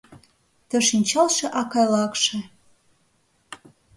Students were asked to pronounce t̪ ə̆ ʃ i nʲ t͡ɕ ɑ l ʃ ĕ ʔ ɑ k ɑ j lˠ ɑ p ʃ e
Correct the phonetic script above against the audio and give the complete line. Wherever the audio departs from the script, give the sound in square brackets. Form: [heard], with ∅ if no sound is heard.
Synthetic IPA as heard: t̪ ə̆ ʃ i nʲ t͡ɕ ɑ l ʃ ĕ ʔ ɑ k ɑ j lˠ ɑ [k] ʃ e